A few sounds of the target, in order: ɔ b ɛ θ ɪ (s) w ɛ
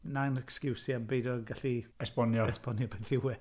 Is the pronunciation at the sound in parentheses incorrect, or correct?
incorrect